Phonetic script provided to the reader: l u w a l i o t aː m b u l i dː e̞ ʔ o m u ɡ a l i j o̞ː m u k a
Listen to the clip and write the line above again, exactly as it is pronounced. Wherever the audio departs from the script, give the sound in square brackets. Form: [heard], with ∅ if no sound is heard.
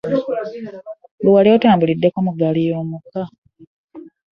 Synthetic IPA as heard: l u w a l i o t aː m b u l i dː e̞ [k] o m u ɡ a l i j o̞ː m u k a